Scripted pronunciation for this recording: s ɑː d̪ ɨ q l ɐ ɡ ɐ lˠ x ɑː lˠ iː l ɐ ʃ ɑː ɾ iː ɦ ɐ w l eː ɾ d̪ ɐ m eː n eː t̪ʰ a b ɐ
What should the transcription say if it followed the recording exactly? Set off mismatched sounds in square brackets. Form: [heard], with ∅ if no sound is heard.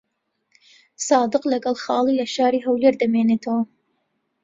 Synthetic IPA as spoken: s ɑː d̪ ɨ q l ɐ ɡ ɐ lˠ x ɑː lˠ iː l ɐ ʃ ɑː ɾ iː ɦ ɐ w l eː ɾ d̪ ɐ m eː n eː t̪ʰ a [w] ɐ